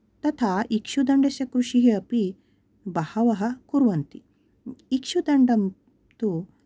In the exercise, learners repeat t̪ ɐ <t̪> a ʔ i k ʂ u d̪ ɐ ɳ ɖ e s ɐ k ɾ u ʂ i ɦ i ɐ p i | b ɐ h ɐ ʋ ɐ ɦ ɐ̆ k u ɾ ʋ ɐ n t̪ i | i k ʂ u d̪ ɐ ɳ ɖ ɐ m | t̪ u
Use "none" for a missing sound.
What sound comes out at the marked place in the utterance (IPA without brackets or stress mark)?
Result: t̪ʰ